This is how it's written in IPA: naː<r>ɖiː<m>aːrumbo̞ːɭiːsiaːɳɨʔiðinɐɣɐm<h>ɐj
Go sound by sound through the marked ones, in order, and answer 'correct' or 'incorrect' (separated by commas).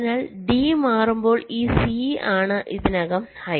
incorrect, correct, correct